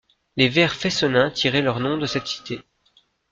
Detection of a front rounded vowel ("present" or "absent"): present